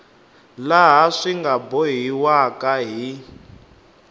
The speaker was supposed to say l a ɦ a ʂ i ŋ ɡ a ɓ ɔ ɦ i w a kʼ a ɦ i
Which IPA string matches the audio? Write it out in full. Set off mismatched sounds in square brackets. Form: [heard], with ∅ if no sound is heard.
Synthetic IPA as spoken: l a ɦ a ʂ i ŋ ɡ a [b] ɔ ɦ i w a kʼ a ɦ i